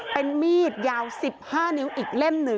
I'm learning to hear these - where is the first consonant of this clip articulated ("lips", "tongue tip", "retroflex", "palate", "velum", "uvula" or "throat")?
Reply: lips